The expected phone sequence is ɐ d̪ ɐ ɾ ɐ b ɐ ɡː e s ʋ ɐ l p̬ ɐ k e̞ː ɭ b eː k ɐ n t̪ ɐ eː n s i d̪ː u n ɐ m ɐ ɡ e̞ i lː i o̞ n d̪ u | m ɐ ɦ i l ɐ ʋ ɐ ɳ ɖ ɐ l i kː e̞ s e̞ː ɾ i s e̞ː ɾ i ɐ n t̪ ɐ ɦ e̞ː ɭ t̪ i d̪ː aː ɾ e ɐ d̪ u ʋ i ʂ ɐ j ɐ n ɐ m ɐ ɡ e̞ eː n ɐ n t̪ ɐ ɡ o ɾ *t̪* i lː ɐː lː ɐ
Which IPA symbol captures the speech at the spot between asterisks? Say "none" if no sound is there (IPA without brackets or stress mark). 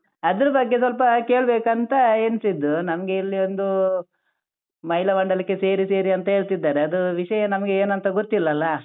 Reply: t̪